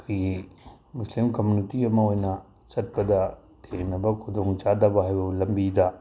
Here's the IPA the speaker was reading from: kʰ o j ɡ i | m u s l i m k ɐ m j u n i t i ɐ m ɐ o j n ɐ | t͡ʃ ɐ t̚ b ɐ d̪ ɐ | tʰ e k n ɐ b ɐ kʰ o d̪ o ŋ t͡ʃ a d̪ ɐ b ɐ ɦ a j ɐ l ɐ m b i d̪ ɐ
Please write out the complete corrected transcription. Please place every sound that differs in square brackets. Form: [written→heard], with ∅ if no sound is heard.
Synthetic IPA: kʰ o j ɡ i | m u s l i m k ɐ m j u n i t i ɐ m ɐ o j n ɐ | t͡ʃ ɐ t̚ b ɐ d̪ ɐ | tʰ e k n ɐ b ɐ kʰ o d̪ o ŋ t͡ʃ a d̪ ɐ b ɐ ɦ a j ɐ l ɐ m b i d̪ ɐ